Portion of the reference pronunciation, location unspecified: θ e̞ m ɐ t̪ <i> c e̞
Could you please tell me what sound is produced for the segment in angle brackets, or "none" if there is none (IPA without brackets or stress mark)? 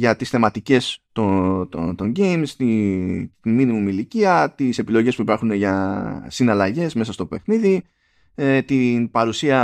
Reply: i